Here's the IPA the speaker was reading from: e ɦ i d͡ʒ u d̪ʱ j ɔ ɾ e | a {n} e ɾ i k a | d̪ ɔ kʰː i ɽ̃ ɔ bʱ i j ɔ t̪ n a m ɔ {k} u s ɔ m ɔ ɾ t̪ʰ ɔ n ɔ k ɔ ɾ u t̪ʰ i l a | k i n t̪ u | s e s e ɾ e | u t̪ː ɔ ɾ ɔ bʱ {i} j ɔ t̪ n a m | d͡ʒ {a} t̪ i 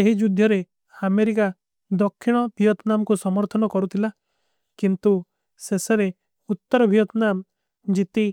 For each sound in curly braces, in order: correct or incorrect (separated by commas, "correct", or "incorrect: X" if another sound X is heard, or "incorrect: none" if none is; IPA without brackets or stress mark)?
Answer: incorrect: m, correct, correct, incorrect: i